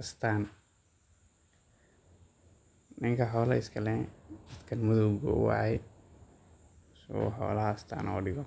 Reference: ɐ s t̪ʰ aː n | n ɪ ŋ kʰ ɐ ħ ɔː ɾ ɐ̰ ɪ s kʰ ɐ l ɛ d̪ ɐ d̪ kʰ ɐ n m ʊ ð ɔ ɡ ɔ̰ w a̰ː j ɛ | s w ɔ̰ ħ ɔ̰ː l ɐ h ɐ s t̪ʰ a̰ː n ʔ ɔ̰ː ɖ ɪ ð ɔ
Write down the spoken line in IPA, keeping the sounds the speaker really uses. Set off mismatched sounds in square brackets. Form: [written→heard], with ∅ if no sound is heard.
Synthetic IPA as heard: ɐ s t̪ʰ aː n | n ɪ ŋ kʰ ɐ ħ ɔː [ɾ→l] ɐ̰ ɪ s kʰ ɐ l ɛ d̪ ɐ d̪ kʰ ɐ n m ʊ ð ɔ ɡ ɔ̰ w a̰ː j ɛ | s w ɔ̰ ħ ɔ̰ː l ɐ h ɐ s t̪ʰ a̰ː n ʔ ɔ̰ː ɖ ɪ [ð→ɣ] ɔ